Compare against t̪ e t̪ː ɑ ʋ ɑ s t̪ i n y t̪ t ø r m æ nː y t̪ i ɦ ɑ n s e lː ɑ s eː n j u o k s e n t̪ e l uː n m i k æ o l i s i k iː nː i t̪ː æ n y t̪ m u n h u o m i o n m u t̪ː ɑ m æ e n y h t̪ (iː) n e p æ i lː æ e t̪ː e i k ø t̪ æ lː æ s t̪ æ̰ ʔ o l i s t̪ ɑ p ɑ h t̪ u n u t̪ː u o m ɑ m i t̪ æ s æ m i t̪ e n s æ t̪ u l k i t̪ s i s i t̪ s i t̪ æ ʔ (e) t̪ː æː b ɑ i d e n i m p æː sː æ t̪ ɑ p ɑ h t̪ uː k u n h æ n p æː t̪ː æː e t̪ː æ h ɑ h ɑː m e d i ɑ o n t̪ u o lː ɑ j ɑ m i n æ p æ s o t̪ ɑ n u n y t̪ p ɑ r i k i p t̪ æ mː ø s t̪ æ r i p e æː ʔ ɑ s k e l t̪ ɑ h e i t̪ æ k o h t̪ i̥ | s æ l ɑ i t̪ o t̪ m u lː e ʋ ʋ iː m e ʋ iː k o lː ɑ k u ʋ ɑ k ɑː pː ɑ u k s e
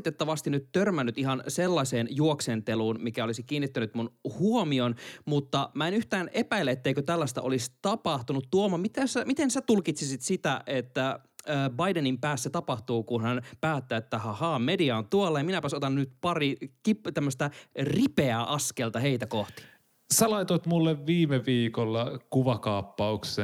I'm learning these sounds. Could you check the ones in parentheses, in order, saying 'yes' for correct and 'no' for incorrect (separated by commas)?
no, yes